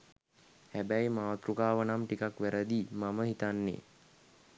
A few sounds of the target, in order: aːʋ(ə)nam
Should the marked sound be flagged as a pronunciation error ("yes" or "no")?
no